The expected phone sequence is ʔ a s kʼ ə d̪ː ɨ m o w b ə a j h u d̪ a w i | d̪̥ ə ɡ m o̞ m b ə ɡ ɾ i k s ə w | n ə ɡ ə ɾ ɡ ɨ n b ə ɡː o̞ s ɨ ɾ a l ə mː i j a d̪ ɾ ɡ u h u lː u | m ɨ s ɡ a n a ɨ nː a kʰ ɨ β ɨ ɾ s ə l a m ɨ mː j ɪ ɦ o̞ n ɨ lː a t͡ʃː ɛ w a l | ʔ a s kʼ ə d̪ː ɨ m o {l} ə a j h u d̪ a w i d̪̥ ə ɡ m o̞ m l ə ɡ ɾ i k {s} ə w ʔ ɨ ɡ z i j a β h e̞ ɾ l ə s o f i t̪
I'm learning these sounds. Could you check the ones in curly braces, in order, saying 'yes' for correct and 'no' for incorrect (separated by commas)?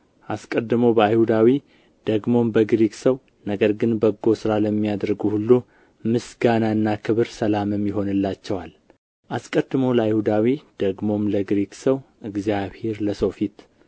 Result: yes, yes